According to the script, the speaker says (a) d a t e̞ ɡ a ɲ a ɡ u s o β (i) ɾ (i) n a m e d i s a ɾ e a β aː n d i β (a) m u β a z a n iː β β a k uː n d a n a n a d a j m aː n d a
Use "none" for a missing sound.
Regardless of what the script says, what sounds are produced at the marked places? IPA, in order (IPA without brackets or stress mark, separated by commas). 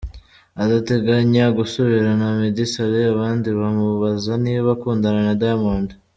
a, i, a, a